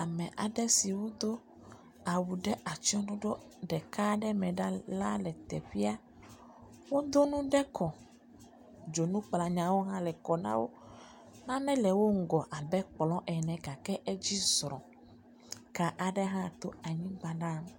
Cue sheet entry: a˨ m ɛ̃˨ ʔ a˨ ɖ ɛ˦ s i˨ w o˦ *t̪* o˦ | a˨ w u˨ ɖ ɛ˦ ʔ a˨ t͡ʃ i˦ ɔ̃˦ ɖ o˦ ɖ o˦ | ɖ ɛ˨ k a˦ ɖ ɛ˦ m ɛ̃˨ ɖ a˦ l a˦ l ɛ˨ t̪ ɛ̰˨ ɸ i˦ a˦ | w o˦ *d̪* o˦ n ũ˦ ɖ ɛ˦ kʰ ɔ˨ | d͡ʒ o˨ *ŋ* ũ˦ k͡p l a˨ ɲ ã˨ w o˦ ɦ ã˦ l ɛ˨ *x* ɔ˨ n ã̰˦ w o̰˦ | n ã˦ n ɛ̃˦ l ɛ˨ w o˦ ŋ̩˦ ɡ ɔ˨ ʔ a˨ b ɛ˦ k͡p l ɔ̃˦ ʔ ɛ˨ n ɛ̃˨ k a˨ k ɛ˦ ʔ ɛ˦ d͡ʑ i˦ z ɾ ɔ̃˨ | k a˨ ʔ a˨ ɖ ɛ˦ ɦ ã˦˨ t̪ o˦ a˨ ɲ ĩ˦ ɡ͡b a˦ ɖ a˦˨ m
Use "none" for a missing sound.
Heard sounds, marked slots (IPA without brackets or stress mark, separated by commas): d̪, d̪, n, k